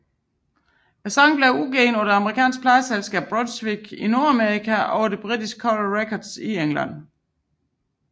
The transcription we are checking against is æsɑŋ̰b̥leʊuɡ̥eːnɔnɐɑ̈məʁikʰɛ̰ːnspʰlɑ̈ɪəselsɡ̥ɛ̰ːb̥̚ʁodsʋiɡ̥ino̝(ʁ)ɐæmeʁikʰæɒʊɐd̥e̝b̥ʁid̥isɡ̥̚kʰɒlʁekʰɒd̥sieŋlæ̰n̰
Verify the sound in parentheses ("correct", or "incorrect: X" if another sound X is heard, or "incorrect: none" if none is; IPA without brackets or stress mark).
incorrect: none